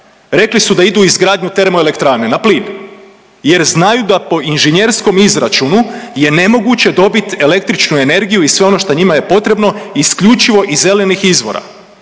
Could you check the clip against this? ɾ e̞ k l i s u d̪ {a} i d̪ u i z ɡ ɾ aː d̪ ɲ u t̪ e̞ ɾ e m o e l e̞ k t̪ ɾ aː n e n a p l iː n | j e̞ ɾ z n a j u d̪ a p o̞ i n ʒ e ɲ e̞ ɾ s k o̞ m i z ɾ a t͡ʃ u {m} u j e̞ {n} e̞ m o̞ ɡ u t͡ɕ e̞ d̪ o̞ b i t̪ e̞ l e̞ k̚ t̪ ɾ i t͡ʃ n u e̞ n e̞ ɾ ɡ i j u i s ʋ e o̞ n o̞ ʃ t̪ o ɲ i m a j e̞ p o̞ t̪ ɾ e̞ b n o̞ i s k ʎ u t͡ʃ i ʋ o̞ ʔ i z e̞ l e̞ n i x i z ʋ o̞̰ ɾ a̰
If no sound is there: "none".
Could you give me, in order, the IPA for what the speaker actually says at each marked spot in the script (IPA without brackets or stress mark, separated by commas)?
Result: a, n, n